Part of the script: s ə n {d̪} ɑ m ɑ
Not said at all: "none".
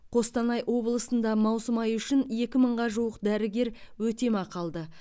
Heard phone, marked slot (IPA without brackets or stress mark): d̪